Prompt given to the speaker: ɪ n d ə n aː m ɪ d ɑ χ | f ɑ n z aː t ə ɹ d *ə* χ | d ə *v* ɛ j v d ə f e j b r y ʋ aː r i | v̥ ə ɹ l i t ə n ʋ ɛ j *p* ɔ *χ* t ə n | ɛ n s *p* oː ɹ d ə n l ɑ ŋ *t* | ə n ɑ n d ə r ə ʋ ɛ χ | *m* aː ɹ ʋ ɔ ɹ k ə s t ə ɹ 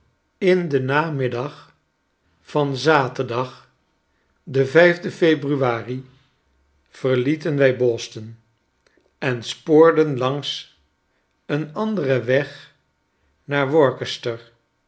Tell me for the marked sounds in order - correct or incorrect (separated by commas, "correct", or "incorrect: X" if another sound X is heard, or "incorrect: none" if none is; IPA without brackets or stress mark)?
incorrect: ɑ, correct, incorrect: b, incorrect: s, correct, incorrect: s, incorrect: n